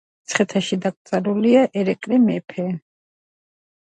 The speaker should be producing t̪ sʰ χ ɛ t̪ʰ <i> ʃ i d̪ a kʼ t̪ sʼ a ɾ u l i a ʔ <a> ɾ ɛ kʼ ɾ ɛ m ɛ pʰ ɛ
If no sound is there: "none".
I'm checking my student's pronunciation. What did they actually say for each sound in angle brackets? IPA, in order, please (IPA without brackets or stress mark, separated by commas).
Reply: a, ɛ